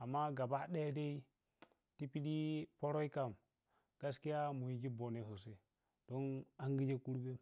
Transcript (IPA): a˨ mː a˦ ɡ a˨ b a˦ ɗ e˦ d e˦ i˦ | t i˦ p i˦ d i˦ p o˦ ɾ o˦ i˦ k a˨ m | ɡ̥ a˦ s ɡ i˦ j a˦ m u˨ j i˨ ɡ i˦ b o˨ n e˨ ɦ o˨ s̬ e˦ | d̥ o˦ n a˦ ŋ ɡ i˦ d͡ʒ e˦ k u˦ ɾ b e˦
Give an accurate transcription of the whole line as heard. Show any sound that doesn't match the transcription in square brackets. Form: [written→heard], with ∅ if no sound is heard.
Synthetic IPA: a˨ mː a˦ ɡ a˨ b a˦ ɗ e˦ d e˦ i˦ | t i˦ p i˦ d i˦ p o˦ ɾ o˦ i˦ k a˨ m | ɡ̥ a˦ s [ɡ→k] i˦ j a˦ m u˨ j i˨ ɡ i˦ b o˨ n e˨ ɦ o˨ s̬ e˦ | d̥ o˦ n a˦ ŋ ɡ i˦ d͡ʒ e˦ k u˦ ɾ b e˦

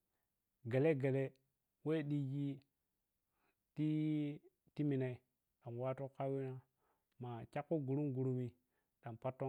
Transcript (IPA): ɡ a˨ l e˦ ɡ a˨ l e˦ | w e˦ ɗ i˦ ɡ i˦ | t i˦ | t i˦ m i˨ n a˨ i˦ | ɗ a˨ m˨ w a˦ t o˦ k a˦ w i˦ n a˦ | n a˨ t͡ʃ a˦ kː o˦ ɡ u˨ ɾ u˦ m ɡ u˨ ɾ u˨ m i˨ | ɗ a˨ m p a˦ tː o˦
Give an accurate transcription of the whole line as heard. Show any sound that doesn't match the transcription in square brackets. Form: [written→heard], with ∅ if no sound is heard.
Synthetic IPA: ɡ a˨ l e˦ ɡ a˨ l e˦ | w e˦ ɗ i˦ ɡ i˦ | t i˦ | t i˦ m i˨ n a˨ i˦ | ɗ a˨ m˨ w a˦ t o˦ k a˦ w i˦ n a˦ | [n→m] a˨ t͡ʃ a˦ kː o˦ ɡ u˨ ɾ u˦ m ɡ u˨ ɾ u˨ m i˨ | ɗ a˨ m p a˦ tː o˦

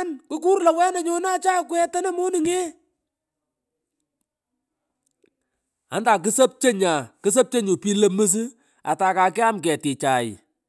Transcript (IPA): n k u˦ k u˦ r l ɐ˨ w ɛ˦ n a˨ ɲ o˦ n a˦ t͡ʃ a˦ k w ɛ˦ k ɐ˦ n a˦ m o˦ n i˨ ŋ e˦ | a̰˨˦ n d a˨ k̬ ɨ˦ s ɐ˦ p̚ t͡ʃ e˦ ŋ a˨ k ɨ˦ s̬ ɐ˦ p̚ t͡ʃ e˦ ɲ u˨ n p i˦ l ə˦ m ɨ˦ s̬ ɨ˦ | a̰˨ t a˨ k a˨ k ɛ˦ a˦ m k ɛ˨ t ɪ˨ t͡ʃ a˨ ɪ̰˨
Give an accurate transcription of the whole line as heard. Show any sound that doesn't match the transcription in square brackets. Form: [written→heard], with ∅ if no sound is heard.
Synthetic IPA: n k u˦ k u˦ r l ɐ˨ w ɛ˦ n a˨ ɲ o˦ n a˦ t͡ʃ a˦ k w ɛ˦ [k→t] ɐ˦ n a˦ m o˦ n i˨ ŋ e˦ | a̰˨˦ n d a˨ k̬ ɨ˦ s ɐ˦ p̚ t͡ʃ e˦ [ŋ→ɲ] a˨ k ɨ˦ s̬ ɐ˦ p̚ t͡ʃ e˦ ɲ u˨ [n→∅] p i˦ l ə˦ m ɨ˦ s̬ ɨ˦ | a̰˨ t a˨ k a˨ k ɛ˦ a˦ m k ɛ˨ t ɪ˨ t͡ʃ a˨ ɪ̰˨

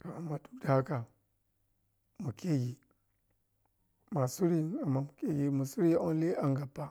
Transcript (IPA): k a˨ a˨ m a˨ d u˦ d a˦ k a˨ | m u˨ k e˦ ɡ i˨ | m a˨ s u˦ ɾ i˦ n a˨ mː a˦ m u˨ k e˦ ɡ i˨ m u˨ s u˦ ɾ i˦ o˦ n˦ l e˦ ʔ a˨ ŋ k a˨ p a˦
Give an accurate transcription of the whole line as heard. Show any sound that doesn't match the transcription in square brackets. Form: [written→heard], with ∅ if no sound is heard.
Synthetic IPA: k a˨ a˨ m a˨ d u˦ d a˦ k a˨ | m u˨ k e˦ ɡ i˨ | m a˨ s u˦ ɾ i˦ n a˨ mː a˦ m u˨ k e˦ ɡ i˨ m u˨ s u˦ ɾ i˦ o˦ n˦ l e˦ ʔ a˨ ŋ [k→ɡ] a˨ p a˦

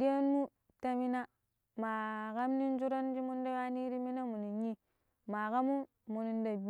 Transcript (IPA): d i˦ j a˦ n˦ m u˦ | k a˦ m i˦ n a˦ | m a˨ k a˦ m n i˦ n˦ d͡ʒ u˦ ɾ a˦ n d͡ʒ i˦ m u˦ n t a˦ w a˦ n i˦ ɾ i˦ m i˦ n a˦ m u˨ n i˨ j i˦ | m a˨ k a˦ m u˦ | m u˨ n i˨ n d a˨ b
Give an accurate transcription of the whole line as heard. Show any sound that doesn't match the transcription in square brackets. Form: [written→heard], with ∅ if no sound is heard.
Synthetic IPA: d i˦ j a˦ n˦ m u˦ | [k→t] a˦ m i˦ n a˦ | m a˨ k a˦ m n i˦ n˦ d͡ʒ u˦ ɾ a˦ n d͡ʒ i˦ m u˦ n [t→d] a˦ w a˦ n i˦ ɾ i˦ m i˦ n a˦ m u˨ n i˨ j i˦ | m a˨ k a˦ m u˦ | m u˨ n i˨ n d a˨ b

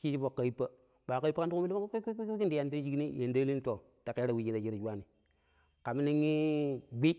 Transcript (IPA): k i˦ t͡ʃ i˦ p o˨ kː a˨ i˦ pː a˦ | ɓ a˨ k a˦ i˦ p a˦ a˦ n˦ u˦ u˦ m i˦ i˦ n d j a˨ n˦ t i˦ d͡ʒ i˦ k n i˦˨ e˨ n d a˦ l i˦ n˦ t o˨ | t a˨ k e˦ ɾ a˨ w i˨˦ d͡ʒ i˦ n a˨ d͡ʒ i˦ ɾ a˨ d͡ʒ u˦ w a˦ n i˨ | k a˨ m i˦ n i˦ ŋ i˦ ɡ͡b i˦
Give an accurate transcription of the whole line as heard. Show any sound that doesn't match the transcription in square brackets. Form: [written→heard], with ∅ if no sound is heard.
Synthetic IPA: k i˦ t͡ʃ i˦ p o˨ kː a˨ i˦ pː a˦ | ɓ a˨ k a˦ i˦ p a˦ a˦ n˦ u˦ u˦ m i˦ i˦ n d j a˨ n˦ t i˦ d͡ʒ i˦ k n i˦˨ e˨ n d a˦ l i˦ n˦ t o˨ | t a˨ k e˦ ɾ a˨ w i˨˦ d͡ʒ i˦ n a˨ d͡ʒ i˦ ɾ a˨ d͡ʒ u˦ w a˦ n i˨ | k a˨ m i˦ n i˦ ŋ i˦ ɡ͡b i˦

